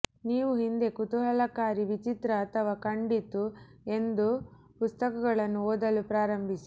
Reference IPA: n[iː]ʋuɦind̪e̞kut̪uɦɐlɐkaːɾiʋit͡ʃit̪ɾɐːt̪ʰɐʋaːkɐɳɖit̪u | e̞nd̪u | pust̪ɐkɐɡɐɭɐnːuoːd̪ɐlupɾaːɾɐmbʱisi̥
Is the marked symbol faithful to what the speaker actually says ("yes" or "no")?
yes